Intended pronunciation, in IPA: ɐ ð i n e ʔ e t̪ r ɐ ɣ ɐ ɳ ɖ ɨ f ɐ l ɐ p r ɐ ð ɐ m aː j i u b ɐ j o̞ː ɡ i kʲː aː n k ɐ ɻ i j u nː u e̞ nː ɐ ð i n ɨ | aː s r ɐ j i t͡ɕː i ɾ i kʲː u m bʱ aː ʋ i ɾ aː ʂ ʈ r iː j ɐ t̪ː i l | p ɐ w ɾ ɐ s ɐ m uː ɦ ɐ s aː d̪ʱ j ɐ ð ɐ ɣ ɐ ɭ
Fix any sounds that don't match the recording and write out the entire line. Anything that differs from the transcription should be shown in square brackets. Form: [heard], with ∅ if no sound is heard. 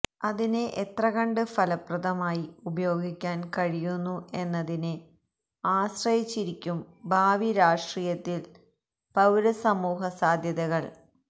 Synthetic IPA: ɐ ð i n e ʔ e t̪ r ɐ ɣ ɐ ɳ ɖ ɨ f ɐ l ɐ p r ɐ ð ɐ m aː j i u b ɐ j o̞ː ɡ i kʲː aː n k ɐ ɻ i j u nː u e̞ nː ɐ ð i n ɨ | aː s r ɐ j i t͡ɕː i ɾ i kʲː u m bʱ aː ʋ i ɾ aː ʂ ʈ r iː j ɐ t̪ː i l | p ɐ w ɾ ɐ s ɐ m uː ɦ ɐ s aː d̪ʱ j ɐ ð ɐ ɣ ɐ ɭ